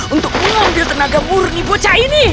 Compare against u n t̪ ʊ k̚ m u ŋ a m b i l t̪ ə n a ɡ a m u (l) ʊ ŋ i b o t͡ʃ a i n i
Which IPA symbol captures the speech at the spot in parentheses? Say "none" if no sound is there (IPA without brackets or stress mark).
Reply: ɾ